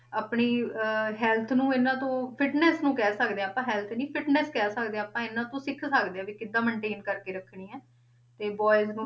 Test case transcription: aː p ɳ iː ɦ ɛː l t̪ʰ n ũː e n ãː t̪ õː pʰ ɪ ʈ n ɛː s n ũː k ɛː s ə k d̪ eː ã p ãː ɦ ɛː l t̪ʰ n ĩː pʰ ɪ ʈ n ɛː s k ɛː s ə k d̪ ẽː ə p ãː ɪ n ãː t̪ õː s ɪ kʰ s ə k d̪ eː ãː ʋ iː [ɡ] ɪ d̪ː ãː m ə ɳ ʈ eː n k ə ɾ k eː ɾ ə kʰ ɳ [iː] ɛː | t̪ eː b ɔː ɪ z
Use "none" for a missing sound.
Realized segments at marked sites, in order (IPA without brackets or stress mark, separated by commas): k, iː